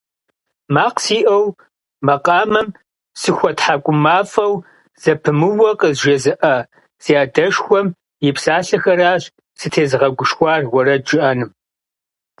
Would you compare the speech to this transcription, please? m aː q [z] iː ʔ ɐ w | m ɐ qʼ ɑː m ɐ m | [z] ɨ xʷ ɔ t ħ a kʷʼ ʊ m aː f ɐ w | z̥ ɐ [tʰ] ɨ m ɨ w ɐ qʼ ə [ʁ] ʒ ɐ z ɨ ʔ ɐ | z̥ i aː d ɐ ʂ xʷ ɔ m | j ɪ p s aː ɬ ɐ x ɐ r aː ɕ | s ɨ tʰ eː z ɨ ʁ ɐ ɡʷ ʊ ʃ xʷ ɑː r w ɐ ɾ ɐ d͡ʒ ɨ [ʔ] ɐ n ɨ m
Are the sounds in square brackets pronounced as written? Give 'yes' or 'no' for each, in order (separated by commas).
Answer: no, no, no, no, yes